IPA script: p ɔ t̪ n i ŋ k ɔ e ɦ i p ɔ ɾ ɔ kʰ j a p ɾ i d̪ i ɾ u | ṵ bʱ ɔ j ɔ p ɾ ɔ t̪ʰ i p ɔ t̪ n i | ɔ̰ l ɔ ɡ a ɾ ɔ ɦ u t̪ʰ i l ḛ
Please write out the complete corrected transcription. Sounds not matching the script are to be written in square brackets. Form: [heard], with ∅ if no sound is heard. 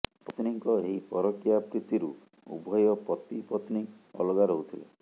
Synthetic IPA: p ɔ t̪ n i ŋ k ɔ e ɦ i p ɔ ɾ ɔ [k] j a p ɾ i [t̪] i ɾ u | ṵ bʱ ɔ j ɔ p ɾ ɔ [t̪] i p ɔ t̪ n i | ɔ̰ l ɔ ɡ a ɾ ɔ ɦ u t̪ʰ i l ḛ

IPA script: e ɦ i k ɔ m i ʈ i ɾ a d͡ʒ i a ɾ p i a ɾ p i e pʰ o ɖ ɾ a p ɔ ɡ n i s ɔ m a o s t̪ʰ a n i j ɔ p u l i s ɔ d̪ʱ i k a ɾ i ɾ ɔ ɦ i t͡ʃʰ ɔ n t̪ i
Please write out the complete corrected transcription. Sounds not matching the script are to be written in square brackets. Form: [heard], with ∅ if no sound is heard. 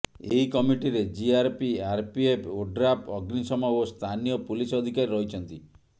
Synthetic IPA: e ɦ i k ɔ m i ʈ i ɾ [e] d͡ʒ i a ɾ p i a ɾ p i e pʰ o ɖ ɾ a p ɔ ɡ n i s ɔ m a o s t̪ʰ a n i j ɔ p u l i s ɔ d̪ʱ i k a ɾ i ɾ ɔ ɦ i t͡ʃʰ ɔ n t̪ i

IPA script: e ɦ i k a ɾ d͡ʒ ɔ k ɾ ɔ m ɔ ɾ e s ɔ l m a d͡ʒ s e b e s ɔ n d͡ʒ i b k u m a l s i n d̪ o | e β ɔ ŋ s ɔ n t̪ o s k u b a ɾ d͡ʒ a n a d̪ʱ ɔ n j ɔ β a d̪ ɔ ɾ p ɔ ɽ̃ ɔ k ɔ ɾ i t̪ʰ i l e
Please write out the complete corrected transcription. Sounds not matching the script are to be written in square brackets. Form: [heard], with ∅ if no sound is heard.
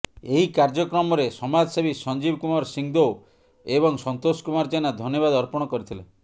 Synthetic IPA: e ɦ i k a ɾ d͡ʒ ɔ k ɾ ɔ m ɔ ɾ e s ɔ [∅] m a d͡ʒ s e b [i] s ɔ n d͡ʒ i b k u m a [ɾ] s i [ŋ] d̪ o | e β ɔ ŋ s ɔ n t̪ o s k u [m] a ɾ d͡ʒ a n a d̪ʱ ɔ n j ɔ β a d̪ ɔ ɾ p ɔ ɽ̃ ɔ k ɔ ɾ i t̪ʰ i l e

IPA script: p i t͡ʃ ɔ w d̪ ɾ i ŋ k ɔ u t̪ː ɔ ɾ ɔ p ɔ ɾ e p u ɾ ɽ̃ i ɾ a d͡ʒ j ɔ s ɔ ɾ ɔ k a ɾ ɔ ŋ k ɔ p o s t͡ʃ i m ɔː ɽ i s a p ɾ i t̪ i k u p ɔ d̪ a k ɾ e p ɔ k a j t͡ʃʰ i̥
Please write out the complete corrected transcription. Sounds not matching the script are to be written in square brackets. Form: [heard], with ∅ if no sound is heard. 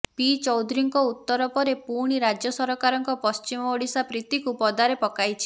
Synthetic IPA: p i t͡ʃ ɔ w d̪ ɾ i ŋ k ɔ u t̪ː ɔ ɾ ɔ p ɔ ɾ e p u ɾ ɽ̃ i ɾ a d͡ʒ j ɔ s ɔ ɾ ɔ k a ɾ ɔ ŋ k ɔ p [ɔ] s t͡ʃ i m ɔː ɽ i s a p ɾ i t̪ i k u p ɔ d̪ a [∅] ɾ e p ɔ k a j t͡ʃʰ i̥

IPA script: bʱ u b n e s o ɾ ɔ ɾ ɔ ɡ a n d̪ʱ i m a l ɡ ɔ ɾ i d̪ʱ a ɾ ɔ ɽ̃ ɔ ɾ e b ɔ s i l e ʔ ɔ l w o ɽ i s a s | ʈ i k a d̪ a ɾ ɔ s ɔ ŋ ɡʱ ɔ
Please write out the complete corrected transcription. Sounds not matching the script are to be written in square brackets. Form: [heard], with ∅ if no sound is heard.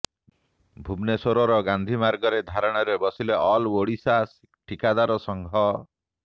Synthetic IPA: bʱ u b n e s o ɾ ɔ ɾ ɔ ɡ a n d̪ʱ i m a [ɾ] ɡ ɔ ɾ [e] d̪ʱ a ɾ ɔ ɽ̃ ɔ ɾ e b ɔ s i l e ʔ ɔ l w o ɽ i s a s | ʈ i k a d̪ a ɾ ɔ s ɔ ŋ ɡʱ ɔ

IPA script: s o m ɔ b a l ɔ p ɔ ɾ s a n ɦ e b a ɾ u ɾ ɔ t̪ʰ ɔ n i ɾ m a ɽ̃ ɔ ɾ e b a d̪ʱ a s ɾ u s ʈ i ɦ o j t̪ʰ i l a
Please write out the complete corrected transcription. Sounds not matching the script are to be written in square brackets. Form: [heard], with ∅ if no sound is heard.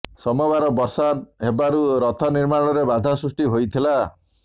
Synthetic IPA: s [ɔ] m ɔ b a [ɾ] ɔ [b] ɔ ɾ s a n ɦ e b a ɾ u ɾ ɔ t̪ʰ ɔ n i ɾ m a ɽ̃ ɔ ɾ e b a d̪ʱ a s ɾ u s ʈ i ɦ o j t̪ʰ i l a

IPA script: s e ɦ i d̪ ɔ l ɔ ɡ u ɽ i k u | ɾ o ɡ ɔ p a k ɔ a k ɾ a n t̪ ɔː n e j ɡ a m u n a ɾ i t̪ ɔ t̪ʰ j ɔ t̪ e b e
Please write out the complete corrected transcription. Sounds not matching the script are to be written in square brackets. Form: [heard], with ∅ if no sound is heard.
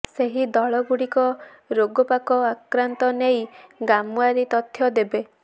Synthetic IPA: s e ɦ i d̪ ɔ [ɭ] ɔ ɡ u ɽ i k [ɔ] | ɾ o ɡ ɔ p a k ɔ a k ɾ a n t̪ [ɔ] n e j ɡ a m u [∅] a ɾ i t̪ ɔ t̪ʰ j ɔ [d̪] e b e

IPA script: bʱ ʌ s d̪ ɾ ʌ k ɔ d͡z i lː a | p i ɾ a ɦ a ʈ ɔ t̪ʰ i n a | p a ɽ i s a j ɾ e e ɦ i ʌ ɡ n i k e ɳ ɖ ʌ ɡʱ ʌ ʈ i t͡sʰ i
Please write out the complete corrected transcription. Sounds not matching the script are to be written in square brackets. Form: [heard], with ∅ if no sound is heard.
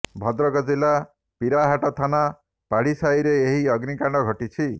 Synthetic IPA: bʱ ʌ [∅] d̪ ɾ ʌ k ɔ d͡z i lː a | p i ɾ a ɦ a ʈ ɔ t̪ʰ [a] n a | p a ɽ i s a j ɾ e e ɦ i ʌ ɡ n i k [a] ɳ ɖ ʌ ɡʱ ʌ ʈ i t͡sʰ i

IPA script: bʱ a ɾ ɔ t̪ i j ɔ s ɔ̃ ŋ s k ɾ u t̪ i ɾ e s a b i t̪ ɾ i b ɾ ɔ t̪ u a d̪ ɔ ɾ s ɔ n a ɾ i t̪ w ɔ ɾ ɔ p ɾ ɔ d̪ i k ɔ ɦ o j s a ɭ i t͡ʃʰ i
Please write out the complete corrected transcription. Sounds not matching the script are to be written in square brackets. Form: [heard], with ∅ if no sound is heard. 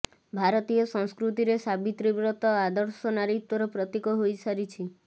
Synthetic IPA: bʱ a ɾ ɔ t̪ i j ɔ s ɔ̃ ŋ s k ɾ u t̪ i ɾ e s a b i t̪ ɾ i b ɾ ɔ t̪ [ɔ] a d̪ ɔ ɾ s ɔ n a ɾ i t̪ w ɔ ɾ ɔ p ɾ ɔ [t̪] i k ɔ ɦ o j s a [ɾ] i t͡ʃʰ i

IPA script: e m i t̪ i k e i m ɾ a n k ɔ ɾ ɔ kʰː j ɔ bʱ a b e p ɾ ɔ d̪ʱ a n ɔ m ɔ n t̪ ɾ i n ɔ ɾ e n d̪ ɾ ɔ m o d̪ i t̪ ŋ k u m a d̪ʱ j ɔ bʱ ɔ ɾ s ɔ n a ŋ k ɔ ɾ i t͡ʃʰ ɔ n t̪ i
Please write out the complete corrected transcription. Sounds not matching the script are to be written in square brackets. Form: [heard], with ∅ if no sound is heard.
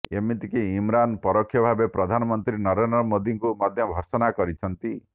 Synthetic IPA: e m i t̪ i k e i m ɾ a n [p] ɔ ɾ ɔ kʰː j ɔ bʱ a b e p ɾ ɔ d̪ʱ a n ɔ m ɔ n t̪ ɾ i n ɔ ɾ e n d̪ ɾ ɔ m o d̪ i [∅] ŋ k u m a d̪ʱ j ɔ bʱ ɔ ɾ s ɔ n a [∅] k ɔ ɾ i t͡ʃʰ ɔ n t̪ i

